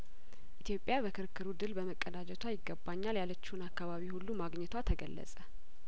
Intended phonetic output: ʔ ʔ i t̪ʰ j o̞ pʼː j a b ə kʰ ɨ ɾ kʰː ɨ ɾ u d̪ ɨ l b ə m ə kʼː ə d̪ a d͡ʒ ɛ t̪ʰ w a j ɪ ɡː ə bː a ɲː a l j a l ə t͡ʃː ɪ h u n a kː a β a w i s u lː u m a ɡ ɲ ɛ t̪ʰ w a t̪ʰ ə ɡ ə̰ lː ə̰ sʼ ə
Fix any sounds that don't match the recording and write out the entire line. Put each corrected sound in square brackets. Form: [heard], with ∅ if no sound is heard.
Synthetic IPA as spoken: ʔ ʔ i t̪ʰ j o̞ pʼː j a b ə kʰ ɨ ɾ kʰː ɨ ɾ u d̪ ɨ l b ə m ə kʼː ə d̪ a d͡ʒ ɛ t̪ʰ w a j ɪ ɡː ə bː a ɲː a l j a l ə t͡ʃː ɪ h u n a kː a β a [β] i [h] u lː u m a ɡ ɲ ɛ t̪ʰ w a t̪ʰ ə ɡ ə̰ lː ə̰ sʼ ə